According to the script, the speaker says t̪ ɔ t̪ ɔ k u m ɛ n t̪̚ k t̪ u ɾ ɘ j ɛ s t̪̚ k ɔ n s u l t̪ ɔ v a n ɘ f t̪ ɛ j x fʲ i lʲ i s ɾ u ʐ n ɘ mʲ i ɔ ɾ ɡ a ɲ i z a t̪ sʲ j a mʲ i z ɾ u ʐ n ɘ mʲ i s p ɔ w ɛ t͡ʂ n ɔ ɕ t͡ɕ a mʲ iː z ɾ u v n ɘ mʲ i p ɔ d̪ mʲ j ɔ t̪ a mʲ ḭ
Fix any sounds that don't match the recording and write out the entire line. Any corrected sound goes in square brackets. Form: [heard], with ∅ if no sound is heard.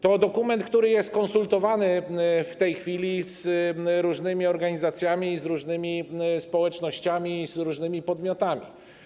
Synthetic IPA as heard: t̪ ɔ [d̪] ɔ k u m ɛ n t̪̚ k t̪ u ɾ ɘ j ɛ s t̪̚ k ɔ n s u l t̪ ɔ v a n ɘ f t̪ ɛ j x fʲ i lʲ i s ɾ u ʐ n ɘ mʲ i ɔ ɾ ɡ a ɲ i z a t̪ sʲ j a mʲ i z ɾ u ʐ n ɘ mʲ i s p ɔ w ɛ t͡ʂ n ɔ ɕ t͡ɕ a mʲ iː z ɾ u [ʐ] n ɘ mʲ i p ɔ d̪ mʲ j ɔ t̪ a mʲ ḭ